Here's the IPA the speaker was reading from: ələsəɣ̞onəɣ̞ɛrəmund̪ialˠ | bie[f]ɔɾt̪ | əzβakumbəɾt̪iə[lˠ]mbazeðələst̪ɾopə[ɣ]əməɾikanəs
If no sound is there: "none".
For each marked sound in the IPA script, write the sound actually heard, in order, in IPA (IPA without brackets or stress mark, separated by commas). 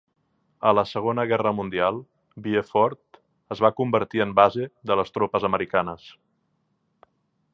f, none, z